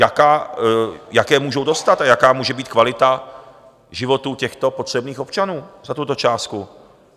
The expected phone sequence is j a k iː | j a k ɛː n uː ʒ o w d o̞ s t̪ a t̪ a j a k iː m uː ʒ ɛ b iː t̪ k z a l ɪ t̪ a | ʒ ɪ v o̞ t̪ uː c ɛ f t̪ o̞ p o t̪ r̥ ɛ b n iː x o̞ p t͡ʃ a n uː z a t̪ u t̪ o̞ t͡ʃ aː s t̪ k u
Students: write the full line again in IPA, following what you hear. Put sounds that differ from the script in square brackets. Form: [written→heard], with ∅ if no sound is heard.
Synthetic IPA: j a k [iː→aː] | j a k ɛː [n→m] uː ʒ o w d o̞ s t̪ a t̪ a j a k [iː→aː] m uː ʒ ɛ b iː t̪ k [z→v] a l ɪ t̪ a | ʒ ɪ v o̞ t̪ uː c ɛ [f→x] t̪ o̞ p o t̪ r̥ ɛ b n iː x o̞ p t͡ʃ a n uː z a t̪ u t̪ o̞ t͡ʃ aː s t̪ k u